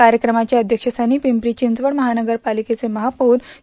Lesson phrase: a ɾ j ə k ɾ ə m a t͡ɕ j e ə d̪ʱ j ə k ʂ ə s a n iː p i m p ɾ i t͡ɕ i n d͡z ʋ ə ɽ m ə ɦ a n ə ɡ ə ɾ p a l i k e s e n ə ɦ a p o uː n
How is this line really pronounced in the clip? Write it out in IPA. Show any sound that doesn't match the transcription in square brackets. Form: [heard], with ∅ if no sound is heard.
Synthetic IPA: a ɾ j ə k ɾ ə m a t͡ɕ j [a] ə d̪ʱ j ə k ʂ ə s a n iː p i m p ɾ i t͡ɕ i n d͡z ʋ ə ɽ m ə ɦ a n ə ɡ ə ɾ p a l i k e [t͡s] e [m] ə ɦ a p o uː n